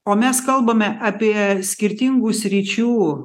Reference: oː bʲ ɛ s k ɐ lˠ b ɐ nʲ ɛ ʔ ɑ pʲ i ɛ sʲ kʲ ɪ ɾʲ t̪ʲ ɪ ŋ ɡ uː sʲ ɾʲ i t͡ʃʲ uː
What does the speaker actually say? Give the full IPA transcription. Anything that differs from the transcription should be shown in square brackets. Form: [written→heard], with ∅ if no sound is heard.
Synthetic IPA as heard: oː [bʲ→mʲ] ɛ s k ɐ lˠ b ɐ [nʲ→mʲ] ɛ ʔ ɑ pʲ i ɛ sʲ kʲ ɪ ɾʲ t̪ʲ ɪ ŋ ɡ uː sʲ ɾʲ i t͡ʃʲ uː

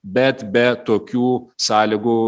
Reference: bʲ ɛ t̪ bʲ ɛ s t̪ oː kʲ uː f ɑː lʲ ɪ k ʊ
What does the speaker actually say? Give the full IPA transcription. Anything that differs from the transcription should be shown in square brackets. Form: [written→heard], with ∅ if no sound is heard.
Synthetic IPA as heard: bʲ ɛ t̪ bʲ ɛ [s→∅] t̪ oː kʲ uː [f→s] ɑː lʲ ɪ [k→ɡ] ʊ

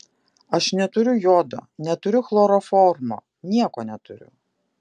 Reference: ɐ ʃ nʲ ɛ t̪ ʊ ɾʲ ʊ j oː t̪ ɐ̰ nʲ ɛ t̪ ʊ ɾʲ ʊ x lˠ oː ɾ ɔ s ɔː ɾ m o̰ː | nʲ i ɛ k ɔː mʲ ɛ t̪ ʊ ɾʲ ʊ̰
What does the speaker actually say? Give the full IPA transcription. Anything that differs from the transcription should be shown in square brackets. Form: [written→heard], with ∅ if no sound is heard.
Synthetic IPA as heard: ɐ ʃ nʲ ɛ t̪ ʊ ɾʲ ʊ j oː [t̪→d̪] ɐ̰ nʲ ɛ t̪ ʊ ɾʲ ʊ x lˠ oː ɾ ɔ [s→f] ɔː ɾ m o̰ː | nʲ i ɛ k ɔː [mʲ→nʲ] ɛ t̪ ʊ ɾʲ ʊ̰

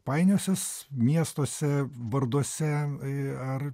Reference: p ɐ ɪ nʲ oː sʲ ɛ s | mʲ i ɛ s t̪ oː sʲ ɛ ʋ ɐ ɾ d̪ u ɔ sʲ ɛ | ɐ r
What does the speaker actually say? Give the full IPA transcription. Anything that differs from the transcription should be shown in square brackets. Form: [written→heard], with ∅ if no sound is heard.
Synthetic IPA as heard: p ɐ ɪ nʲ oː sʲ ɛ s | mʲ i ɛ s t̪ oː sʲ ɛ ʋ ɐ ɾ d̪ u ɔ sʲ ɛ | ɐ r

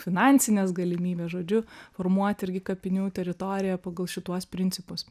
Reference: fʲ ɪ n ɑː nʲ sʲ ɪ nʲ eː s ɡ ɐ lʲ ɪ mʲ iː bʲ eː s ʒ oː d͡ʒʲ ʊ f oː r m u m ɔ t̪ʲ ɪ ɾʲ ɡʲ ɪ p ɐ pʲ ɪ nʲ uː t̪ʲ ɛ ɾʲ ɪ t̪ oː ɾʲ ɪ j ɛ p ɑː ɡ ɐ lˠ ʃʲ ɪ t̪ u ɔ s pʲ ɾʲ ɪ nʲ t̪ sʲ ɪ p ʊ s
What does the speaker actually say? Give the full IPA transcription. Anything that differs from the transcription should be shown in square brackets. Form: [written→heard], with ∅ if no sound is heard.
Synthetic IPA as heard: fʲ ɪ n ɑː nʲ sʲ ɪ nʲ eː s ɡ ɐ lʲ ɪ mʲ iː bʲ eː s ʒ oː d͡ʒʲ ʊ f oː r m u [m→∅] ɔ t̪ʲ ɪ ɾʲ ɡʲ ɪ [p→k] ɐ pʲ ɪ nʲ uː t̪ʲ ɛ ɾʲ ɪ t̪ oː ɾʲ ɪ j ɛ p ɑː ɡ ɐ lˠ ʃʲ ɪ t̪ u ɔ s pʲ ɾʲ ɪ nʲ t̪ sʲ ɪ p ʊ s

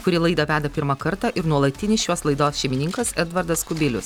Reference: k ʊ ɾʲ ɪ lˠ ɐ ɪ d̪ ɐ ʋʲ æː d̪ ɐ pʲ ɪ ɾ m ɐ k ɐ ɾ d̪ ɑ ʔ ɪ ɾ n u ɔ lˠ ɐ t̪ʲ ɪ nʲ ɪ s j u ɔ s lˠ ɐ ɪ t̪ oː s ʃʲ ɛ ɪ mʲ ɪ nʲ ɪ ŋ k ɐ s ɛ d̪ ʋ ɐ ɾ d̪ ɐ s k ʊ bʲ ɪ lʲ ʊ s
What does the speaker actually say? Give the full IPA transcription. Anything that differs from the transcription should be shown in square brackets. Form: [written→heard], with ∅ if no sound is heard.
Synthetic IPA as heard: k ʊ ɾʲ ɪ lˠ ɐ ɪ d̪ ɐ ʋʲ æː d̪ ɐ pʲ ɪ ɾ m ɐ k ɐ ɾ [d̪→t̪] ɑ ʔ ɪ ɾ n u ɔ lˠ ɐ t̪ʲ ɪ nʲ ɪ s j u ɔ s lˠ ɐ ɪ [t̪→d̪] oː s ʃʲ ɛ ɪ mʲ ɪ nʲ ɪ ŋ k ɐ s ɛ d̪ ʋ ɐ ɾ d̪ ɐ s k ʊ bʲ ɪ lʲ ʊ s

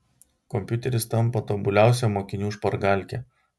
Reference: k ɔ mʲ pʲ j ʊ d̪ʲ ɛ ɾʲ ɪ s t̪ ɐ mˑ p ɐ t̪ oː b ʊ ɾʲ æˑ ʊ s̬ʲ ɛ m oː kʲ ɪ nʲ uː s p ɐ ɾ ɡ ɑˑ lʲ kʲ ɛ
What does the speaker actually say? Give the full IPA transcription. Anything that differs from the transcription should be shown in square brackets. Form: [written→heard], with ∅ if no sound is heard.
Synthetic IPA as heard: k ɔ mʲ pʲ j ʊ [d̪ʲ→t̪ʲ] ɛ ɾʲ ɪ s t̪ ɐ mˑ p ɐ t̪ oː b ʊ [ɾʲ→lʲ] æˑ ʊ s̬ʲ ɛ m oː kʲ ɪ nʲ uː [s→ʃ] p ɐ ɾ ɡ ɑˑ lʲ kʲ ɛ

